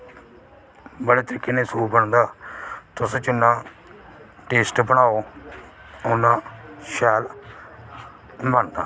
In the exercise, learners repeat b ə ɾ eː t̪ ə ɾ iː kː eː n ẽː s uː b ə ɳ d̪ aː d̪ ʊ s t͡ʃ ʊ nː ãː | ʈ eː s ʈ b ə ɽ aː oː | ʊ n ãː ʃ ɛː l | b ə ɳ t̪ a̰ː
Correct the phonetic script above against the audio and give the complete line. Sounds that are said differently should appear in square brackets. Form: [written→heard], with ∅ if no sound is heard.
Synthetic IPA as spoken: b ə [ɾ→ɽ] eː t̪ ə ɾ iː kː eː n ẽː s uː b ə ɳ d̪ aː [d̪→t̪] ʊ s t͡ʃ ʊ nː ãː | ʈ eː s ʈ b ə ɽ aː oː | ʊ n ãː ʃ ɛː l | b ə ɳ [t̪→d̪] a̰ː